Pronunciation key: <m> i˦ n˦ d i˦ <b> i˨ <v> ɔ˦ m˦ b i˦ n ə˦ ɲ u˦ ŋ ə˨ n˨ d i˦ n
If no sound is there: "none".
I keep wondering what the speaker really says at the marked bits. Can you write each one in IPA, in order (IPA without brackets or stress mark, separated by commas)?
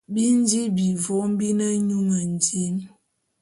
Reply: b, b, v